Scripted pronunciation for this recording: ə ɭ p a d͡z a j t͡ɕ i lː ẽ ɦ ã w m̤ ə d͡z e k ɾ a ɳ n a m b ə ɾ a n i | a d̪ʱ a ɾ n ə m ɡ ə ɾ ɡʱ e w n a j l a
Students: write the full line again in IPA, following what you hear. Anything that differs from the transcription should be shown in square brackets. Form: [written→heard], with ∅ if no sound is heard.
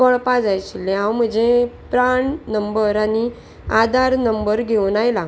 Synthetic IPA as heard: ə ɭ p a d͡z a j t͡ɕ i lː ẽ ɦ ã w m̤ ə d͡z e [k→p] ɾ a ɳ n [a→ə] m b ə ɾ a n i | a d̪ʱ a ɾ n ə m [ɡ→b] ə ɾ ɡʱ e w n a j l a